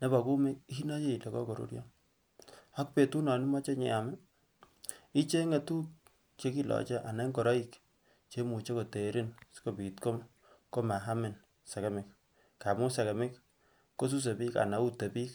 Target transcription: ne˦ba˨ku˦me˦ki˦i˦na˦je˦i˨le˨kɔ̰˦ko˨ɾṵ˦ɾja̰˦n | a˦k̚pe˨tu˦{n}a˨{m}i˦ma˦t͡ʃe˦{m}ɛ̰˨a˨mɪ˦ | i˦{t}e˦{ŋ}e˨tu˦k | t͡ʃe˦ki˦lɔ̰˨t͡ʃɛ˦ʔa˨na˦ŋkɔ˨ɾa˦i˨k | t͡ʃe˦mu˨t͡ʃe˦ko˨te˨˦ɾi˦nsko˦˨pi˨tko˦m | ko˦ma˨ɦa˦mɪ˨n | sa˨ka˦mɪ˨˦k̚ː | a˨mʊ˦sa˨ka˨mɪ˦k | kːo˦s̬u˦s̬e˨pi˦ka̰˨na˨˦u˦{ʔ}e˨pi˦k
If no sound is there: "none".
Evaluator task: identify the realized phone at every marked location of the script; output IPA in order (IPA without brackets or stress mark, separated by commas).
n, n, ɲ, t͡ʃ, ŋ, t